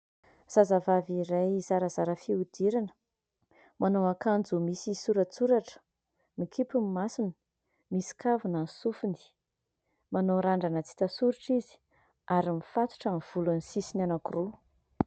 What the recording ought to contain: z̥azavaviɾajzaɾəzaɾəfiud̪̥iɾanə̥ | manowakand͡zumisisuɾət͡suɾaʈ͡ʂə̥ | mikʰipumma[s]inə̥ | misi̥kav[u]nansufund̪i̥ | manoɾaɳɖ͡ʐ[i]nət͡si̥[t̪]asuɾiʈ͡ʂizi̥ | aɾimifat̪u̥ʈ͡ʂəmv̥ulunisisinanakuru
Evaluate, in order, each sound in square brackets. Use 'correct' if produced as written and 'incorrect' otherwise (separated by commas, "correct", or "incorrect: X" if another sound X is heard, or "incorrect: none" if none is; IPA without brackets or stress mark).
correct, correct, incorrect: a, correct